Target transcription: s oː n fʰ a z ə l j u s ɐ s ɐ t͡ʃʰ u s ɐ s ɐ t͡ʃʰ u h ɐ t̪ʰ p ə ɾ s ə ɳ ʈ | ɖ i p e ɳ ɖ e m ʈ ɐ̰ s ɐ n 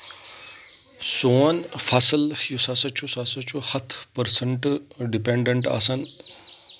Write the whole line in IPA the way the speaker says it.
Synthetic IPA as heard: s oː n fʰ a s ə l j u s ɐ s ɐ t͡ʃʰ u s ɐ s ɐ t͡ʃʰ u h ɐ t̪ʰ p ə ɾ s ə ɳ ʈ | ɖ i p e ɳ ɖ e ɳ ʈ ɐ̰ s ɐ n